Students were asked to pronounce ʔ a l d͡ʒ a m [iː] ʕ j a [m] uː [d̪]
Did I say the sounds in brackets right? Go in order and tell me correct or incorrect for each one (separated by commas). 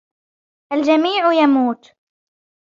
correct, correct, incorrect